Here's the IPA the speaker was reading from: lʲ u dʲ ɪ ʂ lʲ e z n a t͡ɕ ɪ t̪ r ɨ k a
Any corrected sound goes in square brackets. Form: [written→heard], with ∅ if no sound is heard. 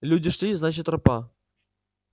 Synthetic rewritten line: lʲ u dʲ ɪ ʂ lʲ [e→i] z n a t͡ɕ ɪ t̪ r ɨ [k→p] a